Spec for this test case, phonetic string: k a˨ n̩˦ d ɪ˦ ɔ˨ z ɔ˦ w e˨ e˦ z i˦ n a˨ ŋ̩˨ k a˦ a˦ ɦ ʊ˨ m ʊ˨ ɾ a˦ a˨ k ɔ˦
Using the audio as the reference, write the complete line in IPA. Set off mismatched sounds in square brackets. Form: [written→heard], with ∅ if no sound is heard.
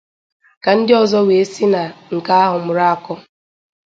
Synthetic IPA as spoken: k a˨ n̩˦ d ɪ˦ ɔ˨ z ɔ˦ w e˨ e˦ [z→s] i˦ n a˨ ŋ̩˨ k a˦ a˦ ɦ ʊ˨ m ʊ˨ ɾ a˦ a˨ k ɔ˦